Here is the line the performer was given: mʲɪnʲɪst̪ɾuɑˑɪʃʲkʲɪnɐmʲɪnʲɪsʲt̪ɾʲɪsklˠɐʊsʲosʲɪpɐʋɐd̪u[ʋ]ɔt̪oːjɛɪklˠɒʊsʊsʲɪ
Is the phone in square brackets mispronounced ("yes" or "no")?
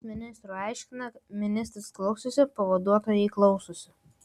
yes